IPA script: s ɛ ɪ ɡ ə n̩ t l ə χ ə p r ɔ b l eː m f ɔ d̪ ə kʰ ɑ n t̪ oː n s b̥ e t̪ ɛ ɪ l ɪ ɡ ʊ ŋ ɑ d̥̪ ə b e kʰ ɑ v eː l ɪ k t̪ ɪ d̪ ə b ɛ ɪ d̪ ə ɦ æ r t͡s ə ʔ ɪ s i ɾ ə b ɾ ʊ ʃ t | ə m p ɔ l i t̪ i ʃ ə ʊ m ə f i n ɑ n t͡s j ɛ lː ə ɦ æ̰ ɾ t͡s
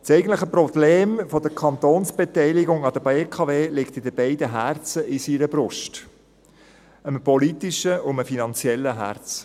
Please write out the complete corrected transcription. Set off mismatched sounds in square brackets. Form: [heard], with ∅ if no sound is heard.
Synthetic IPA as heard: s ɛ ɪ ɡ ə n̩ t l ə χ ə p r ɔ b l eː m f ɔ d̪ ə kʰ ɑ n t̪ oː n s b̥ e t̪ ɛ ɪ l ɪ ɡ ʊ ŋ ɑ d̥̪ ə b e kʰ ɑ v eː l ɪ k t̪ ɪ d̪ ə b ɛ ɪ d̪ ə ɦ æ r t͡s ə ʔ ɪ s i ɾ ə b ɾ ʊ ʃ t | ə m p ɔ l i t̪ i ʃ ə ʊ m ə f i n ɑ n t͡s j ɛ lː ə ɦ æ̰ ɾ t͡s